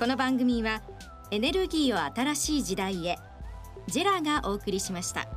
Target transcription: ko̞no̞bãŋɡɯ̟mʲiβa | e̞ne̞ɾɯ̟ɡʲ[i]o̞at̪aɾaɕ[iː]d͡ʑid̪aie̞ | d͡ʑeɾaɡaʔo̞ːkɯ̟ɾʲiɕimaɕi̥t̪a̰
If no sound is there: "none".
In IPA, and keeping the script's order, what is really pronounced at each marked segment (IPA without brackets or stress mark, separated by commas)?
iː, iː